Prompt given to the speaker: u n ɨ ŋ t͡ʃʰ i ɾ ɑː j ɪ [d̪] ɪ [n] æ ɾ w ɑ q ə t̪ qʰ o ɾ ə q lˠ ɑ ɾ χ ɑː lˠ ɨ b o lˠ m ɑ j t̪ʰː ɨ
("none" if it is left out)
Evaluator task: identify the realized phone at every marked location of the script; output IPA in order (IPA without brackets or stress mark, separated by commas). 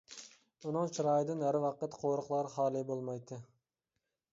d̪, n